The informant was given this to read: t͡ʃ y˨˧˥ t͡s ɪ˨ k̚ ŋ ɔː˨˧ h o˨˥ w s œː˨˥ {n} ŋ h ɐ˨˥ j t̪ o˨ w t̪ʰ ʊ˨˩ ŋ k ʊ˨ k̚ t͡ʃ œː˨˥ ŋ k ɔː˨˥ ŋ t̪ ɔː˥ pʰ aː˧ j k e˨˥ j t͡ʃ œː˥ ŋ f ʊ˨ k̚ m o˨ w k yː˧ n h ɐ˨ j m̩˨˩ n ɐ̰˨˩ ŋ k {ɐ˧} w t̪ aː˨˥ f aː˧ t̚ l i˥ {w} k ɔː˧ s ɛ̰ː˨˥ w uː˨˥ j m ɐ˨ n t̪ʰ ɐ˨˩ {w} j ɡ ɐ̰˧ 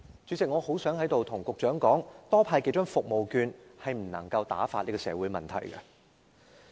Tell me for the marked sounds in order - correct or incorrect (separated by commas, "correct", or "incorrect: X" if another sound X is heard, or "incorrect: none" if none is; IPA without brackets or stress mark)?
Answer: incorrect: none, correct, incorrect: none, incorrect: none